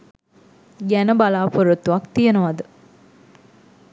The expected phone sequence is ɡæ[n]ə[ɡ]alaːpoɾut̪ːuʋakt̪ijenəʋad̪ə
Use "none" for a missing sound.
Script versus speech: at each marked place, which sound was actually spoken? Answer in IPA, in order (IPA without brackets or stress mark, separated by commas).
n, b